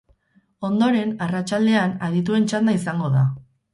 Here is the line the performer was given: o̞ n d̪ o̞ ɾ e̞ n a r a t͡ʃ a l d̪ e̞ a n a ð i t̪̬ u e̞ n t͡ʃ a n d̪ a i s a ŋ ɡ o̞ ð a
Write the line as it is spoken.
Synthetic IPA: o̞ n d̪ o̞ ɾ e̞ n a r a t͡ʃ a l d̪ e̞ a n a ð i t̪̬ u e̞ n t͡ʃ a n d̪ a i s a ŋ ɡ o̞ ð a